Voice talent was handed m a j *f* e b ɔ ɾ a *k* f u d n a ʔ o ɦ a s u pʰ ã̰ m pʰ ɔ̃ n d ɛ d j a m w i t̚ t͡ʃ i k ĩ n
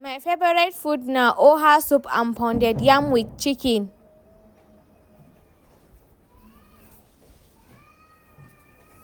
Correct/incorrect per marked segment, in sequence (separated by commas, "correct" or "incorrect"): correct, incorrect